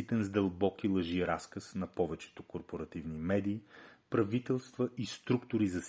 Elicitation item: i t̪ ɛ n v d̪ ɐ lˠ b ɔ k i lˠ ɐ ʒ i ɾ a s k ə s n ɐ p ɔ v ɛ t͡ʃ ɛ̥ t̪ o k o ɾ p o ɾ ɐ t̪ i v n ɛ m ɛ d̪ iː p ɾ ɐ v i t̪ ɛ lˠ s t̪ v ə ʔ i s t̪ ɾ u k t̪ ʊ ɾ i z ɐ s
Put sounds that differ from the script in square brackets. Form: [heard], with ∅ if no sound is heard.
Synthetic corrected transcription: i t̪ ɛ n [z] d̪ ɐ lˠ b ɔ k i lˠ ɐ ʒ i ɾ a s k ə s n ɐ p ɔ v ɛ t͡ʃ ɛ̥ t̪ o k o ɾ p o ɾ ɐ t̪ i v n [i] m ɛ d̪ iː p ɾ ɐ v i t̪ ɛ lˠ s t̪ v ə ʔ i s t̪ ɾ u k t̪ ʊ ɾ i z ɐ s